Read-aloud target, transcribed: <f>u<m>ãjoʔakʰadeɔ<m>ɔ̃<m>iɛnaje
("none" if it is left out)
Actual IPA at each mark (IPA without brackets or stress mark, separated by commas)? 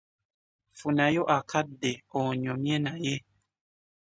f, n, ɲ, m